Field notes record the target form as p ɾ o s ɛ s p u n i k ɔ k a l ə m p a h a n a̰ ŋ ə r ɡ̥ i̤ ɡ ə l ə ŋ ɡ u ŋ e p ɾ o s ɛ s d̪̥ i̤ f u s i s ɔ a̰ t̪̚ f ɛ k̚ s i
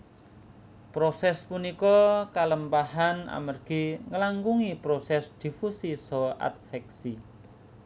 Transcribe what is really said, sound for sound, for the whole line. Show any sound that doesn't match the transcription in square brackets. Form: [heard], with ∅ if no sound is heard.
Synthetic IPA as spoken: p ɾ o s ɛ s p u n i k ɔ k a l ə m p a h a n a̰ [m] ə r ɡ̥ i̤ [ŋ] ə l [a] ŋ ɡ u ŋ [i] p ɾ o s ɛ s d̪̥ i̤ f u s i s ɔ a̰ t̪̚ f ɛ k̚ s i